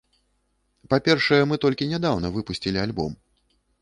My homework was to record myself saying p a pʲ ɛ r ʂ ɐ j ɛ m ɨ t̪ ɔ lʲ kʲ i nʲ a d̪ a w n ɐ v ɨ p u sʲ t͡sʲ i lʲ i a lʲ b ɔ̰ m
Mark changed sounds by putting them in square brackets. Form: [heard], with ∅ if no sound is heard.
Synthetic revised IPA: p a pʲ ɛ r ʂ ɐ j ɛ m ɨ t̪ ɔ lʲ kʲ i nʲ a d̪ a w n ɐ v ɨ p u sʲ t͡sʲ i lʲ i a lʲ b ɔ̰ m